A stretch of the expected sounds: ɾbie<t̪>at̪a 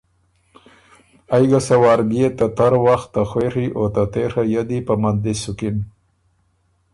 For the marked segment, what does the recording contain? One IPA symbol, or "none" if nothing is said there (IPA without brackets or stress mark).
t̪